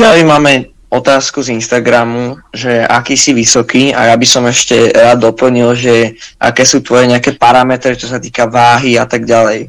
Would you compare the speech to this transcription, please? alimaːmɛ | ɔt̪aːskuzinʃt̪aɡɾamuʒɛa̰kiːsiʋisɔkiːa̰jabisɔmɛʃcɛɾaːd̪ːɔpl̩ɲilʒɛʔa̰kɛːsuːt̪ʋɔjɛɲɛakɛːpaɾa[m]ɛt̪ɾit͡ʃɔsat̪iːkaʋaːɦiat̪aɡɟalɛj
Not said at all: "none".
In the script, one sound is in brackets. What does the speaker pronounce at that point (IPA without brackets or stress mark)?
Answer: m